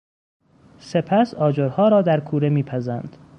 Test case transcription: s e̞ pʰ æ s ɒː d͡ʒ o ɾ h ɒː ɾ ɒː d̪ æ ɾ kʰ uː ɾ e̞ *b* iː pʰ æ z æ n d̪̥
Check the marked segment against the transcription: incorrect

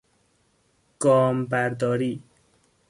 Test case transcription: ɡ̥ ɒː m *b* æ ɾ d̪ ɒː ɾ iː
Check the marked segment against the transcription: correct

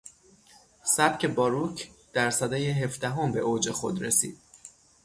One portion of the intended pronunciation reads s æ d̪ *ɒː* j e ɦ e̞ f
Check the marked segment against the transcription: correct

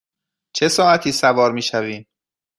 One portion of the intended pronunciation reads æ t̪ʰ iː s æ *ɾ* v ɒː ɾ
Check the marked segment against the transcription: incorrect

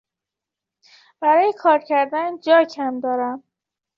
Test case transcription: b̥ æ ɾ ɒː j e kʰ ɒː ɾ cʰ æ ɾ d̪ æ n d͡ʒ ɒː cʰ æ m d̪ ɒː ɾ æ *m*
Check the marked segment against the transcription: correct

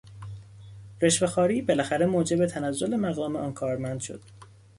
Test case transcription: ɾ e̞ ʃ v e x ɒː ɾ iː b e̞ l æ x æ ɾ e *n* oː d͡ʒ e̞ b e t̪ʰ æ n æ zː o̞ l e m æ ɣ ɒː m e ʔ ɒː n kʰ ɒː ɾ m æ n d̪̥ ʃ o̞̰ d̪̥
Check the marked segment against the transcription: incorrect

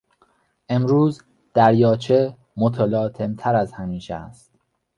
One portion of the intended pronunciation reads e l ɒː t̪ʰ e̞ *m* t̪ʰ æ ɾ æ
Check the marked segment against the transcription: correct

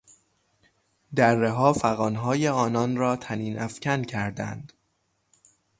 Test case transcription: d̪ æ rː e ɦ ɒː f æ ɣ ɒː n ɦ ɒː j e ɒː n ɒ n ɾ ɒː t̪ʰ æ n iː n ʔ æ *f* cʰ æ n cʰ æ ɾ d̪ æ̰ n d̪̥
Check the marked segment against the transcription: correct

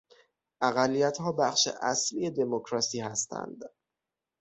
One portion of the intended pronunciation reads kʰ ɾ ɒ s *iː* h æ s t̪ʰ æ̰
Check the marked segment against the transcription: correct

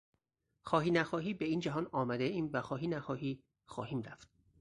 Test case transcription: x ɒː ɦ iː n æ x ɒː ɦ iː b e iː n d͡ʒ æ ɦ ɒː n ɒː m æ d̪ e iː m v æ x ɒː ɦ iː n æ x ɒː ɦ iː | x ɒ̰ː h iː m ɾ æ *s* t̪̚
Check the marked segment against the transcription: incorrect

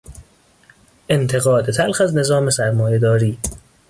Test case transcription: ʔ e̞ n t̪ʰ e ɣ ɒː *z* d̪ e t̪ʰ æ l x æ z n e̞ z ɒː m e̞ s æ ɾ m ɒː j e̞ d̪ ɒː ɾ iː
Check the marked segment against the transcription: incorrect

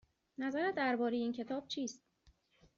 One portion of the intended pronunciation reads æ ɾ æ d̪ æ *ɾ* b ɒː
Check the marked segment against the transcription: correct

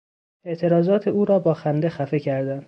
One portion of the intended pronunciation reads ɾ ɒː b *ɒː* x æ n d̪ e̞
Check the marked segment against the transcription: correct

